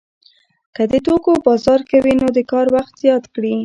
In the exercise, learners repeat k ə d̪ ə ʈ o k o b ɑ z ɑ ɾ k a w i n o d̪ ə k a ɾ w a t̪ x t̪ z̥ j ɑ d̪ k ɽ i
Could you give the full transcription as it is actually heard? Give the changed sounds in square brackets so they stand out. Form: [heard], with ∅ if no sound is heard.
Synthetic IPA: k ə d̪ ə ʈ o k o b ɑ z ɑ ɾ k a w i n o d̪ ə k [ɑ] ɾ w a [∅] x t̪ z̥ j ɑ [t̪] k ɽ i